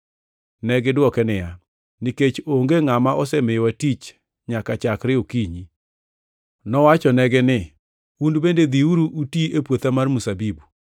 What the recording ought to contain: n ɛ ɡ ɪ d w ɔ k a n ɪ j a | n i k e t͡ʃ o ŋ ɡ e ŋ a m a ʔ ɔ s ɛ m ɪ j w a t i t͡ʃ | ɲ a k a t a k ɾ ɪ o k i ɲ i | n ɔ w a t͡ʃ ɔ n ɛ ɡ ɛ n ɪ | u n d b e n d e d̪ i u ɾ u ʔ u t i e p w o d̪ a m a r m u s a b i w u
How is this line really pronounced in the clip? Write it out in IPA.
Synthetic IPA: n ɛ ɡ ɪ d w ɔ k ɛ n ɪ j a | n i k e t͡ʃ o ŋ ɡ e ŋ a m a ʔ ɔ s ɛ m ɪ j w a t i t͡ʃ | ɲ a k a t͡ʃ a k ɾ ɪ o k i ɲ i | n ɔ w a t͡ʃ ɔ n ɛ ɡ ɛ n ɪ | u n d b e n d e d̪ i u ɾ u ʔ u t i e p w o t̪ a m a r m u s a b i b u